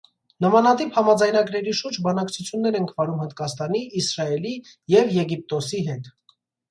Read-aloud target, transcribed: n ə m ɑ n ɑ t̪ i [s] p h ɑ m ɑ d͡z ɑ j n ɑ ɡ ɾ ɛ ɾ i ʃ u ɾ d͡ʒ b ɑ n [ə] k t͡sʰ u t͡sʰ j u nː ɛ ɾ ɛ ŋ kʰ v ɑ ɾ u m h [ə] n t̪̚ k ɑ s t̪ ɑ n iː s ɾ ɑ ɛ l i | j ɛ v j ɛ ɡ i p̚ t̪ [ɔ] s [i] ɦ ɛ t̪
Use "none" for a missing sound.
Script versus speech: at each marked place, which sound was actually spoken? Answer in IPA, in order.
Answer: none, ɑ, ə, ɔ, i

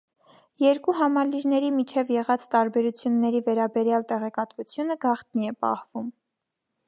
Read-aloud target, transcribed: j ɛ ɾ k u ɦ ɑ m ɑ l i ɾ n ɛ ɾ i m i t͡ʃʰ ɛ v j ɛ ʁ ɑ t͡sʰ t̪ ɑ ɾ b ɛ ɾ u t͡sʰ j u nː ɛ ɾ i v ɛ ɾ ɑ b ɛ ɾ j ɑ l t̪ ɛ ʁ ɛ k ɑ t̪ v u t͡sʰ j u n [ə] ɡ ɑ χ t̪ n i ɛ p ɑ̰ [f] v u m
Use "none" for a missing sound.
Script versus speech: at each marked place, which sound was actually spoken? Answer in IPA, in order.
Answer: ə, h

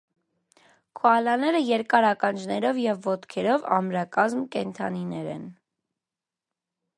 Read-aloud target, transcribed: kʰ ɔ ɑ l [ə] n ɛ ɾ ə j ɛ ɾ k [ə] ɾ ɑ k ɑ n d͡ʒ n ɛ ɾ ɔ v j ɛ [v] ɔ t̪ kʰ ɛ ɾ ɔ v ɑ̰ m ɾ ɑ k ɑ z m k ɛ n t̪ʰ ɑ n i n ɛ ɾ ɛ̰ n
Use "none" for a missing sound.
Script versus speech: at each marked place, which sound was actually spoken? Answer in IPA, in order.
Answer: ɑ, ɑ, vː

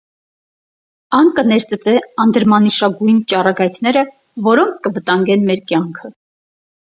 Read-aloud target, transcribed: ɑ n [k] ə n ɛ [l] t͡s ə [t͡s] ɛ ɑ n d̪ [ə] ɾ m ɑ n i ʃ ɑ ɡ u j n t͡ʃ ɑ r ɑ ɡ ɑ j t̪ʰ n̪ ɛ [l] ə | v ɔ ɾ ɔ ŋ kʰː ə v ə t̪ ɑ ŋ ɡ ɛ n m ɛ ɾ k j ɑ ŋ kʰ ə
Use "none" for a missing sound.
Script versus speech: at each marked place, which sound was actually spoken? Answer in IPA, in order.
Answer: k, ɾ, t͡s, ə, ɾ

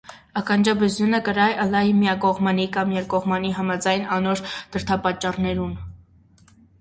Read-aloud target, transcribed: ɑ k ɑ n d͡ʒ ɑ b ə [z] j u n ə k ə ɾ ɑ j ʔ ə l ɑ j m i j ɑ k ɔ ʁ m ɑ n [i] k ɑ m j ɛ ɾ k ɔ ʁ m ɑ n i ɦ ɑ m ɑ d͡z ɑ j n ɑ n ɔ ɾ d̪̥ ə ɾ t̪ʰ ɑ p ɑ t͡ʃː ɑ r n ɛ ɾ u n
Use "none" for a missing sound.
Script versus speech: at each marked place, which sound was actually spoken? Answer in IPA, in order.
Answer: z, i

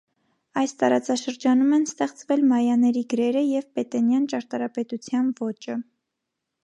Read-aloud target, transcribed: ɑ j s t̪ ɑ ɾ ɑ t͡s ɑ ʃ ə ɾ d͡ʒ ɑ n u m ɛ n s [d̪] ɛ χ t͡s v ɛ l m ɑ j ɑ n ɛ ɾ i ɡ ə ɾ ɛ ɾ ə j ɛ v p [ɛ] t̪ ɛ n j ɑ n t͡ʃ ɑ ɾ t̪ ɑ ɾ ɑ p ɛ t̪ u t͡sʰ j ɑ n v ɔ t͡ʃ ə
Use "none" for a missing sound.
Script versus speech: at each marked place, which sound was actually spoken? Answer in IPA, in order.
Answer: t̪, ɛ

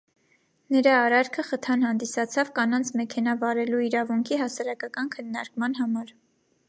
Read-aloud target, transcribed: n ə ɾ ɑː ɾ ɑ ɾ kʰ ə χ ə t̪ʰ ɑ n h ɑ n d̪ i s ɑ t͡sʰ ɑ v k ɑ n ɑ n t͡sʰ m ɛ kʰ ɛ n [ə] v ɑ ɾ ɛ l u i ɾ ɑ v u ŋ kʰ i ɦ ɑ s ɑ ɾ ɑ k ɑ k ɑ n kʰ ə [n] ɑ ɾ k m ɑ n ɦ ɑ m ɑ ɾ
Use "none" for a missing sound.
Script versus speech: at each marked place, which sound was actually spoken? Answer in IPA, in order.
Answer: ɑ, nː

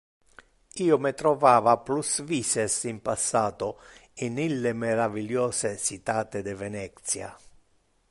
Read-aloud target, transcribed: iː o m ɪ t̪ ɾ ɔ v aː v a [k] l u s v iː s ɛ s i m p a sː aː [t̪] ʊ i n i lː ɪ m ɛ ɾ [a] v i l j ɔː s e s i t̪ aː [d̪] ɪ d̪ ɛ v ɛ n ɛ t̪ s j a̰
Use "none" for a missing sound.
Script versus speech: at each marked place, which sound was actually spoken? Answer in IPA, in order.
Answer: p, t̪, a, t̪

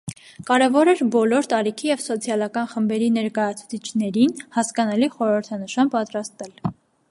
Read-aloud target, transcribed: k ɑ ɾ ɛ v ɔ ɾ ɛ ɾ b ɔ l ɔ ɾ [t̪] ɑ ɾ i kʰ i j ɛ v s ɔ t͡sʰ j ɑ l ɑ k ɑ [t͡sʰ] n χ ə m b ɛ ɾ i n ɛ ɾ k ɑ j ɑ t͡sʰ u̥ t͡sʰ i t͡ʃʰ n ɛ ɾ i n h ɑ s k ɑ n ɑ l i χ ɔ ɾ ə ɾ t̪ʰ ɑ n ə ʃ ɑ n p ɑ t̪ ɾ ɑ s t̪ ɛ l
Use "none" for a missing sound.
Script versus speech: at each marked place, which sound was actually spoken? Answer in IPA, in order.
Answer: t̪, none

